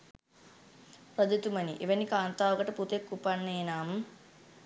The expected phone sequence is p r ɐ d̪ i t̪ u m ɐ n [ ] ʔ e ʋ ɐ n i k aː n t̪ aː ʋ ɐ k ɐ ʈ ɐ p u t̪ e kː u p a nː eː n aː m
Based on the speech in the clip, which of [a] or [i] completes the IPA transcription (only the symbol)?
i